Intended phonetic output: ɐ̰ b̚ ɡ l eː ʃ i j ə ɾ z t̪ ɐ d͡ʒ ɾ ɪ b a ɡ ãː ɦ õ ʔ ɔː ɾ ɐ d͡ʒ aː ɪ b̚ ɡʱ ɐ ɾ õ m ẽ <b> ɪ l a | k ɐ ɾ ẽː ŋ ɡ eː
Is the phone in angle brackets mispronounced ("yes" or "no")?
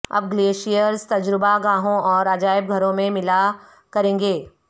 yes